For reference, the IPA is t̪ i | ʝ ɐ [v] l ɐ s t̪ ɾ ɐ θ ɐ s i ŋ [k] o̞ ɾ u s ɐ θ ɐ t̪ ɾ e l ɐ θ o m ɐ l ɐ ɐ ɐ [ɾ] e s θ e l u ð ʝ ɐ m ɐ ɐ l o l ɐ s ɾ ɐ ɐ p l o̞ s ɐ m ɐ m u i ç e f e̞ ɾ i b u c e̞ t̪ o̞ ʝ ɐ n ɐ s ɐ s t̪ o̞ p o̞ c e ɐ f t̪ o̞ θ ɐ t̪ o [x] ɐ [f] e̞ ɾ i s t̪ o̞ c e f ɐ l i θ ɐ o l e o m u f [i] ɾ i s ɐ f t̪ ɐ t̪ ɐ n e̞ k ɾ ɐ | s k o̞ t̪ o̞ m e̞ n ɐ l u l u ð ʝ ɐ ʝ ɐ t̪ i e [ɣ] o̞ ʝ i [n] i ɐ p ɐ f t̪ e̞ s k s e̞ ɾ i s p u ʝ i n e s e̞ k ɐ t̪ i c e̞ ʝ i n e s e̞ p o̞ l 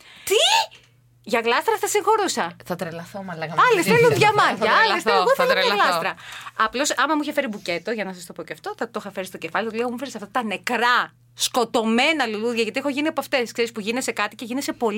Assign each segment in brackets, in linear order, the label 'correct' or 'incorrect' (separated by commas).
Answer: incorrect, incorrect, incorrect, correct, correct, incorrect, incorrect, correct